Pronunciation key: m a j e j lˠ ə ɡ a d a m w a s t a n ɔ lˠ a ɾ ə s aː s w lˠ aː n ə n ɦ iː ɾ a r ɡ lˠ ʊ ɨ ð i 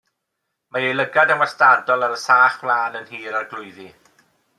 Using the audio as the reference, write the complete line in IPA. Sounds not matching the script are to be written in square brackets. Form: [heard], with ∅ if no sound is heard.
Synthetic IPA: m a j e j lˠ ə ɡ a d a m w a s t a [d] ɔ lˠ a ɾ ə s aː [χ] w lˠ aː n ə n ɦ iː ɾ a r ɡ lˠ ʊ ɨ ð i